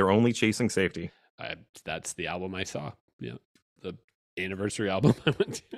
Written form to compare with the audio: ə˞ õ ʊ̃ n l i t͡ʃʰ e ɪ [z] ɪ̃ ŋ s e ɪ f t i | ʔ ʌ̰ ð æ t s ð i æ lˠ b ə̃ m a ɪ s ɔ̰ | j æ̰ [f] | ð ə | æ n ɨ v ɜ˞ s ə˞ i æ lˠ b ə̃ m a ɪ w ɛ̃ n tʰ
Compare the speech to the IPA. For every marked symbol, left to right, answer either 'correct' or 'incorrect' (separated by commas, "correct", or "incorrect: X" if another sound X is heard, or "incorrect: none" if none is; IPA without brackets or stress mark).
incorrect: s, incorrect: none